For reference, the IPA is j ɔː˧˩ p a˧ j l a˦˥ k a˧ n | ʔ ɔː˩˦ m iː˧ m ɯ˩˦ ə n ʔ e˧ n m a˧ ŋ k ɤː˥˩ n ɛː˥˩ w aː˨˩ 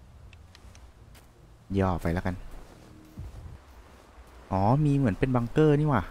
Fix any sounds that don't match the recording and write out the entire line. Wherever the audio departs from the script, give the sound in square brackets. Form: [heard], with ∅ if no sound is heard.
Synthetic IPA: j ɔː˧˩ p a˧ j l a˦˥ k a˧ n | ʔ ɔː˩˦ m iː˧ m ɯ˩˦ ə n [p] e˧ n [b] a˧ ŋ k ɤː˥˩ n [iː˥˩] w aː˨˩